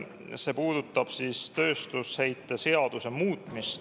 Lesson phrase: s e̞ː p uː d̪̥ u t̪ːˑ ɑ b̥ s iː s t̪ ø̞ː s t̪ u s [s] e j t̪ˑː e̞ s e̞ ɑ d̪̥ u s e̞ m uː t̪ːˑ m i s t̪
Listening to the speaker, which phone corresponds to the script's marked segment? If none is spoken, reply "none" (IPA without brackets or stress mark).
h